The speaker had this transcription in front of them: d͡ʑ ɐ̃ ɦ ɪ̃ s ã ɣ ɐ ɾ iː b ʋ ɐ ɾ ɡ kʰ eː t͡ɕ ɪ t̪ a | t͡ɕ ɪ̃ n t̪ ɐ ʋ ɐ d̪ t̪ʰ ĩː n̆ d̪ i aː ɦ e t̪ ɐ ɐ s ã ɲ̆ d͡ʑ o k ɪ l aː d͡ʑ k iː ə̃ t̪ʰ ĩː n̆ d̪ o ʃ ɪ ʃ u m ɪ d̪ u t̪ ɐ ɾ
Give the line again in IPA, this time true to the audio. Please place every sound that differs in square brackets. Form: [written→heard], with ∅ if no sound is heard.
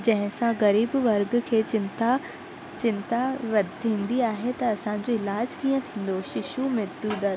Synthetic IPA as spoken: d͡ʑ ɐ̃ ɦ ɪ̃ s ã ɣ ɐ ɾ iː b ʋ ɐ ɾ ɡ kʰ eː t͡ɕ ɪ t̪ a | t͡ɕ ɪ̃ n t̪ [ɐ→a] ʋ ɐ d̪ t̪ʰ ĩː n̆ d̪ i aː ɦ e t̪ ɐ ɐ s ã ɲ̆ d͡ʑ o [k→∅] ɪ l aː d͡ʑ k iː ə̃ t̪ʰ ĩː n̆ d̪ o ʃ ɪ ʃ u m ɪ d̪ u [t̪→d̪] ɐ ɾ